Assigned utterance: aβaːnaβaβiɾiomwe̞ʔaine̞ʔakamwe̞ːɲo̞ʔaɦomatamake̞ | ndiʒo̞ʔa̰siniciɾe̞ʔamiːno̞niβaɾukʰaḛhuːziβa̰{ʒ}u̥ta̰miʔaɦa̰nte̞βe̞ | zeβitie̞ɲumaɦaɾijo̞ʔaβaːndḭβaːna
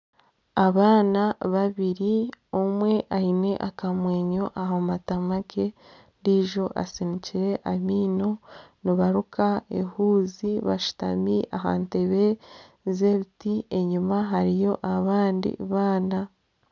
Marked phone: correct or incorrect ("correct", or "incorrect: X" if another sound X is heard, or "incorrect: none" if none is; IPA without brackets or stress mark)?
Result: incorrect: ʃ